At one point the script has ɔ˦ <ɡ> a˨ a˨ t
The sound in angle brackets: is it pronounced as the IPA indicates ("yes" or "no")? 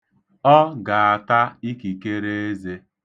yes